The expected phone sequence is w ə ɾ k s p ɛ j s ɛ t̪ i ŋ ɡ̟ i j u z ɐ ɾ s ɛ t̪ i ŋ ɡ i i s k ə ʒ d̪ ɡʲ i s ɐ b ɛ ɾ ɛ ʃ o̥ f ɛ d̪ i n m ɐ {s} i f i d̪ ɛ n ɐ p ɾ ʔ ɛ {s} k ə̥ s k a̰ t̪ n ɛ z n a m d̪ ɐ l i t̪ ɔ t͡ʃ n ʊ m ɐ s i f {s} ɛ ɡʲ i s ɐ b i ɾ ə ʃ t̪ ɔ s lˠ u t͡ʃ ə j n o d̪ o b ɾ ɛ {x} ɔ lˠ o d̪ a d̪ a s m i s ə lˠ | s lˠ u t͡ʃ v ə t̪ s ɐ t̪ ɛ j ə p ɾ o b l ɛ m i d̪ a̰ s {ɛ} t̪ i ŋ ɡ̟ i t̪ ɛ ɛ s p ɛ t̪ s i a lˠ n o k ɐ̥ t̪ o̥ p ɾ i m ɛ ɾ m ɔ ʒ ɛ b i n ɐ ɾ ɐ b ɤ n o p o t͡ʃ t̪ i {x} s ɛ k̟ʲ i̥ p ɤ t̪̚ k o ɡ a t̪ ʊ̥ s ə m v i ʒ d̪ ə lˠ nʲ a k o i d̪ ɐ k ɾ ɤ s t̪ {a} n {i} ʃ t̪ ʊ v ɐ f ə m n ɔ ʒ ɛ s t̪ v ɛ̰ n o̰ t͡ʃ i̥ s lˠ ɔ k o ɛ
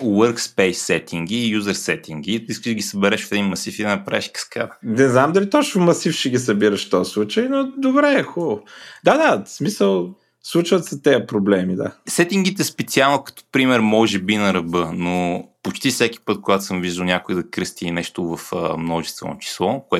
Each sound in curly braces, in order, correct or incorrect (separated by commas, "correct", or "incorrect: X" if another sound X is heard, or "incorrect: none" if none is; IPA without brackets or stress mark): correct, incorrect: ʃ, incorrect: ʃ, correct, correct, incorrect: f, incorrect: i, incorrect: ɛ